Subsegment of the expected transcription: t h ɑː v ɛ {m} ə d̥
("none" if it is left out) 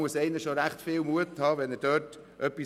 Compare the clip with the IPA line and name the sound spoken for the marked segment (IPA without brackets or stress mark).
n